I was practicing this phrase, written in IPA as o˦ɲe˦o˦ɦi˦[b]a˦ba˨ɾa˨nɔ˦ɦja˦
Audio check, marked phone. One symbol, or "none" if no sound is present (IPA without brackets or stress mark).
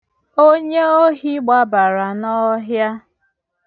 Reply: ɡ͡b